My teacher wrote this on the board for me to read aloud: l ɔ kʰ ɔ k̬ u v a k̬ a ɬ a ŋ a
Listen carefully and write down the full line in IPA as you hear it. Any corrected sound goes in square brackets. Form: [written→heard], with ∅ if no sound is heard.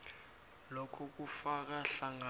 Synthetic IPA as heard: l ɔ kʰ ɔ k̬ u [v→f] a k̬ a ɬ a ŋ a